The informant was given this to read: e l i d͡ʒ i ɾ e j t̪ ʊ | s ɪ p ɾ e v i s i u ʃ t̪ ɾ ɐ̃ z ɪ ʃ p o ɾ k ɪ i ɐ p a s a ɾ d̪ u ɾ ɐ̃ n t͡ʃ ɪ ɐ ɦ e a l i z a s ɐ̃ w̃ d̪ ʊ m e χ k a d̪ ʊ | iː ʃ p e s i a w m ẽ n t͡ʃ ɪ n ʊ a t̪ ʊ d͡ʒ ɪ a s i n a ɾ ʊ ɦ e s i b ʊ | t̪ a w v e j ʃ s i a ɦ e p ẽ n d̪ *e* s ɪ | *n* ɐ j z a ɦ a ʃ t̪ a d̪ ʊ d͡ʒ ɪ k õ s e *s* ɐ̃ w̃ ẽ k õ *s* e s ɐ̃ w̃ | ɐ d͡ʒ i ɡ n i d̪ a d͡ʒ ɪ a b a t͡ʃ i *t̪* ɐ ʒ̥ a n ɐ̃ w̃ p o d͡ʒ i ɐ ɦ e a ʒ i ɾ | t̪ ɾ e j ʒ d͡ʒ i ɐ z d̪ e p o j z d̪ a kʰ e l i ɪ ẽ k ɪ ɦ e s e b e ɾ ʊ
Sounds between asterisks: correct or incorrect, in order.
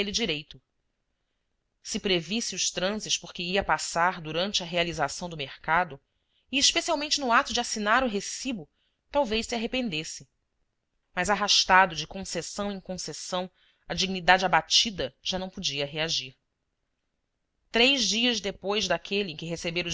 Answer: correct, incorrect, correct, correct, incorrect

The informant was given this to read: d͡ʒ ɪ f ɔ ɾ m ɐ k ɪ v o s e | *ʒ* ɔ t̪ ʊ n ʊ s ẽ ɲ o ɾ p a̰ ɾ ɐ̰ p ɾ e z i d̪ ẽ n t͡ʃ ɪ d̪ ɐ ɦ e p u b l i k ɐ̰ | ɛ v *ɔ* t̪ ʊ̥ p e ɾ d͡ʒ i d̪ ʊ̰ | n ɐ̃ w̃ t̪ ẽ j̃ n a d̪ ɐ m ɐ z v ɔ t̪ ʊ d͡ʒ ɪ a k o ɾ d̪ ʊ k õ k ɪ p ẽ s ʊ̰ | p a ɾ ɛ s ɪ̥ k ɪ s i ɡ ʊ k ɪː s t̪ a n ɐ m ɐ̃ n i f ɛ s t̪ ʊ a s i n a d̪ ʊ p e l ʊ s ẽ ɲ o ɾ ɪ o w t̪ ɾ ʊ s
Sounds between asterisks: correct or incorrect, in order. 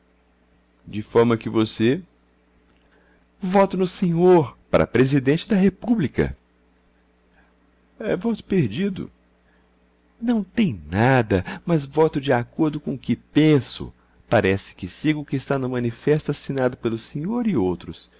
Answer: incorrect, correct

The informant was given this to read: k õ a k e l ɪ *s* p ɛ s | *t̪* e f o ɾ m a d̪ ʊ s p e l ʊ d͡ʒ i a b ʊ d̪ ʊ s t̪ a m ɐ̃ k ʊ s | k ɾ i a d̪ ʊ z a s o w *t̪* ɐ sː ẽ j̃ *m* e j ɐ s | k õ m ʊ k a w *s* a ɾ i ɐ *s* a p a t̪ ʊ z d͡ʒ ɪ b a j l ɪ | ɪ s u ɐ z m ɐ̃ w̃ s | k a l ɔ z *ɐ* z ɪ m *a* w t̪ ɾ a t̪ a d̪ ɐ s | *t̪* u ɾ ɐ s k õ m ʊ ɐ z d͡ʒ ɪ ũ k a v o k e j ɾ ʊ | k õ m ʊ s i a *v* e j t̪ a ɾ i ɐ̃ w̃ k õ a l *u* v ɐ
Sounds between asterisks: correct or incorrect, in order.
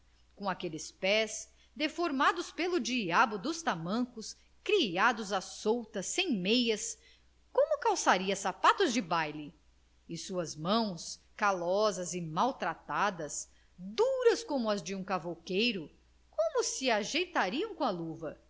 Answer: correct, incorrect, correct, correct, correct, correct, correct, correct, incorrect, incorrect, correct

